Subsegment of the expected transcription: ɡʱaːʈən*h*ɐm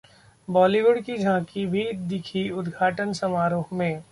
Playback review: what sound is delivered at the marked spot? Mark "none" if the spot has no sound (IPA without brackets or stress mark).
s